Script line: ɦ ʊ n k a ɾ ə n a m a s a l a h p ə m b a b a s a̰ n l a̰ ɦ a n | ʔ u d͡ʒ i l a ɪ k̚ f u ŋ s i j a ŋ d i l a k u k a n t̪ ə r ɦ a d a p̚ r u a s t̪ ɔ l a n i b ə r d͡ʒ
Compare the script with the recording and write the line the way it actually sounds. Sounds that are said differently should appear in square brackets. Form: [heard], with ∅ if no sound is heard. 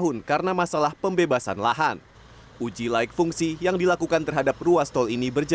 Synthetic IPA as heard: ɦ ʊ n k a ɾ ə n a m a s a l a h p ə m b [e] b a s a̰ n l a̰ ɦ a n | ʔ u d͡ʒ i l a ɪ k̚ f u ŋ s i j a ŋ d i l a k u k a n t̪ ə r ɦ a d a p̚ r u a s t̪ ɔ l [i] n i b ə r d͡ʒ